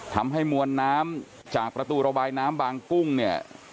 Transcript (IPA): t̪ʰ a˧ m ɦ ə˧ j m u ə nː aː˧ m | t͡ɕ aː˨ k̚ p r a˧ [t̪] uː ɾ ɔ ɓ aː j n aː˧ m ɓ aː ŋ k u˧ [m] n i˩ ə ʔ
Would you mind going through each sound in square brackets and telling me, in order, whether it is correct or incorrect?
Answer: correct, incorrect: ŋ

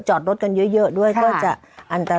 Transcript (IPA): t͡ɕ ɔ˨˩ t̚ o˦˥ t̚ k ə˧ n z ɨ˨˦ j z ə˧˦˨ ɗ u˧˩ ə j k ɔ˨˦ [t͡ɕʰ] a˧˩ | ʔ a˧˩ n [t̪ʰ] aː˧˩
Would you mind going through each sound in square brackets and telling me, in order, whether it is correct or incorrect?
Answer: incorrect: t͡ɕ, incorrect: t̪

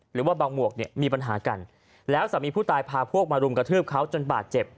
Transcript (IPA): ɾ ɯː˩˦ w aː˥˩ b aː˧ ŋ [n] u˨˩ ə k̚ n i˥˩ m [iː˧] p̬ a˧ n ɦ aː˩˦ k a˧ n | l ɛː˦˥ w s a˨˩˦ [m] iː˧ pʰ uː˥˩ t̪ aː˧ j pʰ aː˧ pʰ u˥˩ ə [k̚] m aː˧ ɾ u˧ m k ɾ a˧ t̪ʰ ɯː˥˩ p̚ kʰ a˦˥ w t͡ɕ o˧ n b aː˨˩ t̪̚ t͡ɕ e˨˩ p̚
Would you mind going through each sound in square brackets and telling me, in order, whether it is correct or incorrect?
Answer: incorrect: m, correct, correct, correct

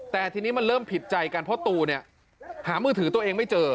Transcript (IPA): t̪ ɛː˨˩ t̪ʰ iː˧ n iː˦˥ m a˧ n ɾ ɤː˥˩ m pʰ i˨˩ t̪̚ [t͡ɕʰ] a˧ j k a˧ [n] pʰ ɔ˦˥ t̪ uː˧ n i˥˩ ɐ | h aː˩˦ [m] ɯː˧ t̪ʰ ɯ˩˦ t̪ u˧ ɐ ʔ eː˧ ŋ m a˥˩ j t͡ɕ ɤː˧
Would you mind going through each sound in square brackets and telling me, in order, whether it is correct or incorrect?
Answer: incorrect: t͡ɕ, correct, correct

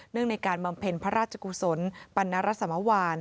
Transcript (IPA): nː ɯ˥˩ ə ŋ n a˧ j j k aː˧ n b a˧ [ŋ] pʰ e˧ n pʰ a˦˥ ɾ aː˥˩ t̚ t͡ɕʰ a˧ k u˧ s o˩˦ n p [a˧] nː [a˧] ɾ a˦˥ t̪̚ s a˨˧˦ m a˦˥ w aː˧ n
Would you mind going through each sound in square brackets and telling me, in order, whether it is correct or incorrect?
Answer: incorrect: m, correct, incorrect: a˦˥

